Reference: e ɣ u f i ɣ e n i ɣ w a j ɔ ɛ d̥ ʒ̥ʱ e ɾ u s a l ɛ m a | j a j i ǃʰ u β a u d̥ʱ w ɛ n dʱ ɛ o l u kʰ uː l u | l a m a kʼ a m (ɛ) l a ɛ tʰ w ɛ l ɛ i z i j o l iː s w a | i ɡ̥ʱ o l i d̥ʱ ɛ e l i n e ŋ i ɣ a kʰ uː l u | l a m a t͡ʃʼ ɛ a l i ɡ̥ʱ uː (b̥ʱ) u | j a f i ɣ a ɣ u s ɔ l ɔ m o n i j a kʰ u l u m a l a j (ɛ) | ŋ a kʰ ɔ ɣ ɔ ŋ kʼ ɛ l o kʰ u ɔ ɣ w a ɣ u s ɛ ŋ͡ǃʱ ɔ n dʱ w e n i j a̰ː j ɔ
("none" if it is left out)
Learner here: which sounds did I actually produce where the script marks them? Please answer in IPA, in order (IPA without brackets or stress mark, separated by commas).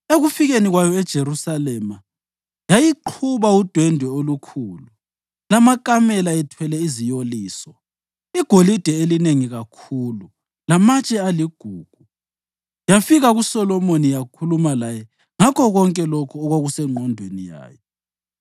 ɛ, ɡ̥ʱ, ɛ